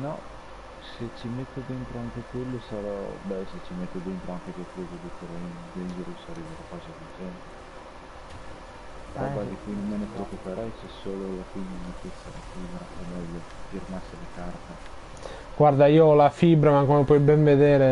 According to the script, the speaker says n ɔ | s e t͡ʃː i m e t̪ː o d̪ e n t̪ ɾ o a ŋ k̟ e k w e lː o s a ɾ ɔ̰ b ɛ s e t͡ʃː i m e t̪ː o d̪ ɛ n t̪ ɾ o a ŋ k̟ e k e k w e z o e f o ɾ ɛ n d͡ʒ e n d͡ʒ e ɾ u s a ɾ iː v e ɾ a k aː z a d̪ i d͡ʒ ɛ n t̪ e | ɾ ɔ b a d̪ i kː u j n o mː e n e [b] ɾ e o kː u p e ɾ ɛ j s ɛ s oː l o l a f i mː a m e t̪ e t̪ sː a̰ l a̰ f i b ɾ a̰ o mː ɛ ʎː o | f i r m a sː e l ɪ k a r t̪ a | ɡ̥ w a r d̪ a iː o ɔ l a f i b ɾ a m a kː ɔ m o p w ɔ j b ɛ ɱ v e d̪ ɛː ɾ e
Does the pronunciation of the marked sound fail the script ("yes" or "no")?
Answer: yes